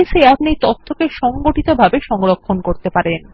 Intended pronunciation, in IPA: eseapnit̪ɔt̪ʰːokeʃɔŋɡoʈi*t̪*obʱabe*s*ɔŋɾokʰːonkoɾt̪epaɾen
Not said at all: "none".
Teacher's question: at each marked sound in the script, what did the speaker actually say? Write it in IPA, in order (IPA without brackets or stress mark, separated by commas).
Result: t̪, ʃ